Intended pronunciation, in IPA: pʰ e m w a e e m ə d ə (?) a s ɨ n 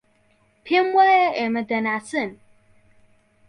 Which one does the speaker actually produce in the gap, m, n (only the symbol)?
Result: n